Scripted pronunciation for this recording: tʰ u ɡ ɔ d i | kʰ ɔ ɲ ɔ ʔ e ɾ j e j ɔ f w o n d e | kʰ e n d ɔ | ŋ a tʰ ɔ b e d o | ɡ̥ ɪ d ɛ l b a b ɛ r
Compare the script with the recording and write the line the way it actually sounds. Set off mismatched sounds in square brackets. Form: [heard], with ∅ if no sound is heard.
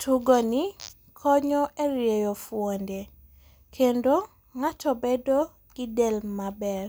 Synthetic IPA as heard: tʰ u ɡ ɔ [n] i | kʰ ɔ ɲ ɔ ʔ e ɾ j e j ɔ f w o n d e | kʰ e n d [o] | ŋ a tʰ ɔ b e d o | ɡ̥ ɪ d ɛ l [m] a b ɛ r